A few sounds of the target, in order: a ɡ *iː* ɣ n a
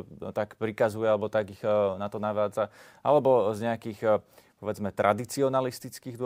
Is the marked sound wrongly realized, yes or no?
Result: yes